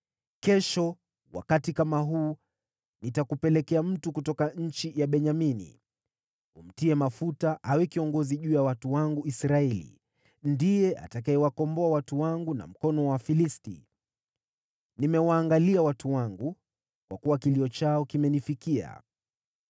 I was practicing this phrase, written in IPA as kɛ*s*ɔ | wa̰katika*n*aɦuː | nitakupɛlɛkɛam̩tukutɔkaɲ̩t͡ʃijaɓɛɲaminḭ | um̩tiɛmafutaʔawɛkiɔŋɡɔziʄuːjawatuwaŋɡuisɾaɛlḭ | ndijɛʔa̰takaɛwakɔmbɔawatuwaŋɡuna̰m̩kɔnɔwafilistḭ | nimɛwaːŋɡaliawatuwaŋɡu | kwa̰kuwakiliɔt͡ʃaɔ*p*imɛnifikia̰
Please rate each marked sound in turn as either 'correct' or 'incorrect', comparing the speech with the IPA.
incorrect, incorrect, incorrect

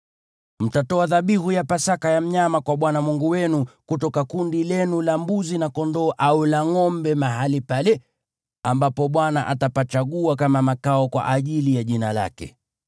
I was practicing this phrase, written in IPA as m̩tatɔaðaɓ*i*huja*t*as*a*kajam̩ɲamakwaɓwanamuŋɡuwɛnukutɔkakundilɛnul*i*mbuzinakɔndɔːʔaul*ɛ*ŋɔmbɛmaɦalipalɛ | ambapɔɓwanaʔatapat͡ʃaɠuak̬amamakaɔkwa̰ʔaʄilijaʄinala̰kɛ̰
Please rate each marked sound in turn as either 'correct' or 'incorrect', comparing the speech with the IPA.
correct, incorrect, correct, incorrect, incorrect

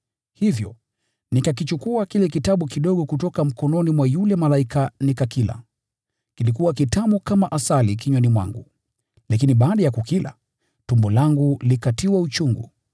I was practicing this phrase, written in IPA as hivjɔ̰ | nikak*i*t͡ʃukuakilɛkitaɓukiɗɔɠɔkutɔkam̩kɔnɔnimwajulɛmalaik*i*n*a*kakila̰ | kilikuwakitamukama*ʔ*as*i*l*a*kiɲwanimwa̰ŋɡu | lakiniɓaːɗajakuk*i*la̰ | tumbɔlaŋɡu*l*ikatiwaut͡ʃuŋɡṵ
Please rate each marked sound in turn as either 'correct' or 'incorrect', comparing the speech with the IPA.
correct, incorrect, incorrect, correct, incorrect, incorrect, correct, correct

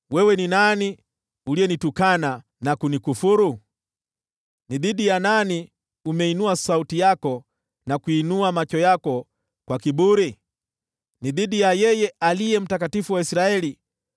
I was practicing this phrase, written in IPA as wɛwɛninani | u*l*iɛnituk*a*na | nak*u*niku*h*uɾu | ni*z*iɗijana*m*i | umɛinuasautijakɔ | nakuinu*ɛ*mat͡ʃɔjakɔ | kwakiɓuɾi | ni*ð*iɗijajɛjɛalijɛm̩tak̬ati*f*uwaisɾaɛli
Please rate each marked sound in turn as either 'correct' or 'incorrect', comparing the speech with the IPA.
correct, correct, correct, incorrect, incorrect, incorrect, incorrect, correct, correct

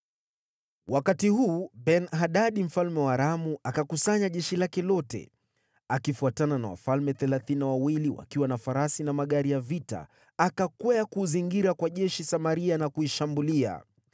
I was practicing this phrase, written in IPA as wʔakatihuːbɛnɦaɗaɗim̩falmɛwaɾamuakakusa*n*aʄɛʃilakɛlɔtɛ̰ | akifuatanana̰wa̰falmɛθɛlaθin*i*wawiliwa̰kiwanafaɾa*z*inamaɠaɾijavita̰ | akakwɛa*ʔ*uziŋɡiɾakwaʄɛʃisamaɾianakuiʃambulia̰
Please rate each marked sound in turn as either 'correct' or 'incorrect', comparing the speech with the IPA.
incorrect, incorrect, incorrect, incorrect

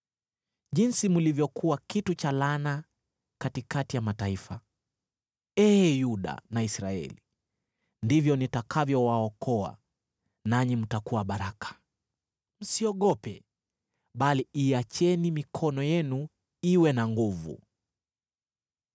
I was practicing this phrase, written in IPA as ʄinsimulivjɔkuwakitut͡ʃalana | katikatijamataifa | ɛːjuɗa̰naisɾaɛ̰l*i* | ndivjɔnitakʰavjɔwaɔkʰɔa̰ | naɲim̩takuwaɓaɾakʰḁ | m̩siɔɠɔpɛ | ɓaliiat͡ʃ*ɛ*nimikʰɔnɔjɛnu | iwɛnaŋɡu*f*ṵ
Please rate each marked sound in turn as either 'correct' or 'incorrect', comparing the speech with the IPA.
correct, correct, incorrect

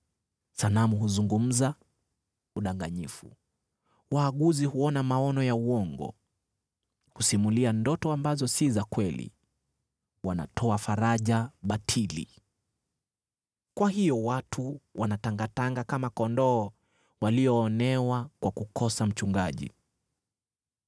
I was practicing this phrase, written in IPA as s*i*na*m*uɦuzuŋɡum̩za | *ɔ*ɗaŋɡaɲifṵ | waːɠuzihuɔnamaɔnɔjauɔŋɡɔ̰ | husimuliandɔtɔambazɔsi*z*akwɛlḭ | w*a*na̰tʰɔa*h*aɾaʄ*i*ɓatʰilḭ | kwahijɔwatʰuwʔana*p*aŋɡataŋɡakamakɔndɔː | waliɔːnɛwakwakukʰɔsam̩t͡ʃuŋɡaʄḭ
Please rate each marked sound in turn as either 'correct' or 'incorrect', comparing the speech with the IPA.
incorrect, correct, incorrect, correct, correct, incorrect, incorrect, incorrect

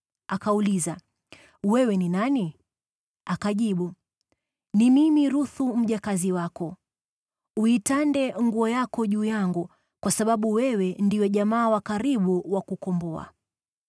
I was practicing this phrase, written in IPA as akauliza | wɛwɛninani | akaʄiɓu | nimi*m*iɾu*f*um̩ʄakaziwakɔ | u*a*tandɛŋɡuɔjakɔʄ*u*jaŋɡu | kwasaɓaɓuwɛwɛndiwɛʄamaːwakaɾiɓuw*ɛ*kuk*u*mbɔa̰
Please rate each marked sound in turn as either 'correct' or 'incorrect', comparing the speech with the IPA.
correct, incorrect, incorrect, incorrect, incorrect, incorrect

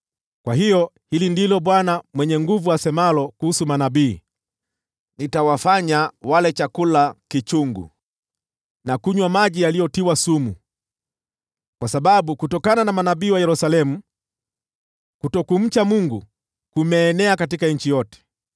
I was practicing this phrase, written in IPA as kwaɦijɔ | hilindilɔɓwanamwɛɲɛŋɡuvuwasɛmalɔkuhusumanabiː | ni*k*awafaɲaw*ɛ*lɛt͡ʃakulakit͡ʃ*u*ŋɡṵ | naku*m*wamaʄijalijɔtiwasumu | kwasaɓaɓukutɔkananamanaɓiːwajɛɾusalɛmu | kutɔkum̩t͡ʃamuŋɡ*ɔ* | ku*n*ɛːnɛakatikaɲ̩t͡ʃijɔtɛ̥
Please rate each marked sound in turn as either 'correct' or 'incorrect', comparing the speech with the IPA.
incorrect, incorrect, correct, incorrect, incorrect, incorrect

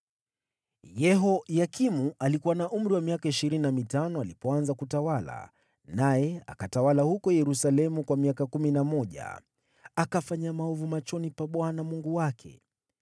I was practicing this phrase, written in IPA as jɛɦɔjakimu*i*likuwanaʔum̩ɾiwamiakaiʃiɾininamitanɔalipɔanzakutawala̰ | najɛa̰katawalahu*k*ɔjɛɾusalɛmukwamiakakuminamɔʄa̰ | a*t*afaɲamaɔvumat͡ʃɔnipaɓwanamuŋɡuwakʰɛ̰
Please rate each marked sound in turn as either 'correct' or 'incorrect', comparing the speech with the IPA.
incorrect, correct, incorrect

